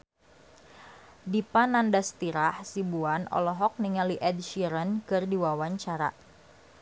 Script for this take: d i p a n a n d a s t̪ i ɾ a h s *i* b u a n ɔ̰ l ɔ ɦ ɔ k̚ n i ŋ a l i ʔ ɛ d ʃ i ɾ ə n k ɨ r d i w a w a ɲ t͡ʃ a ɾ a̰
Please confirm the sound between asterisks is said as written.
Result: yes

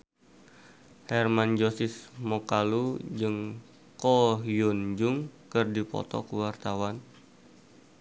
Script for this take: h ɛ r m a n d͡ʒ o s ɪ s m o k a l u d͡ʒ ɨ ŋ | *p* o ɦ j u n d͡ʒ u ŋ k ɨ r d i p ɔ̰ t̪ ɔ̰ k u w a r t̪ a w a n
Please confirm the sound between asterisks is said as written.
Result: no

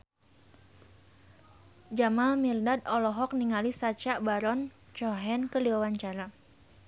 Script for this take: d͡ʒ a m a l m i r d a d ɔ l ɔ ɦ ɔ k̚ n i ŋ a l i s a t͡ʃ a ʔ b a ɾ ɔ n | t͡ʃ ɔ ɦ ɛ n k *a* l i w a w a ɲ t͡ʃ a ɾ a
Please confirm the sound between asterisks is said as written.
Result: no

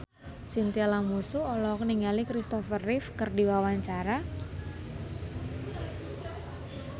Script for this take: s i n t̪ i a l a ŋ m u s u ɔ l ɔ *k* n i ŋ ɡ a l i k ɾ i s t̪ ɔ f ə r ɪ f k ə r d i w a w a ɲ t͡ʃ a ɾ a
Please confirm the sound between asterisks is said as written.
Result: yes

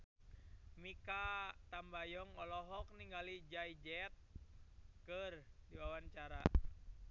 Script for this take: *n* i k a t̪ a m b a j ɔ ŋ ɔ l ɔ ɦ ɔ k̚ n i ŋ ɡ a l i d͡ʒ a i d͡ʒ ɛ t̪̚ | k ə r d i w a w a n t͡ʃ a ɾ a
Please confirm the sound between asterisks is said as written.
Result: no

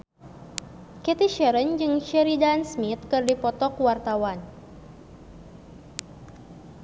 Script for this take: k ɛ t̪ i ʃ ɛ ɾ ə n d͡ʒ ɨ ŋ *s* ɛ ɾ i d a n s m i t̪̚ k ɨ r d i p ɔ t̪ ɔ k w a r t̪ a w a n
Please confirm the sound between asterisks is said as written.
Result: no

